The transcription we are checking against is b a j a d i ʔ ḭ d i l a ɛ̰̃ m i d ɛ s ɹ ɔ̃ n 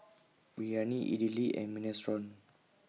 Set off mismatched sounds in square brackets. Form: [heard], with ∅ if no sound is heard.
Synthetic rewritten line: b [i] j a [n] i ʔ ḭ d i l [i] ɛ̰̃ m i [n] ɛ s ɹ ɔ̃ n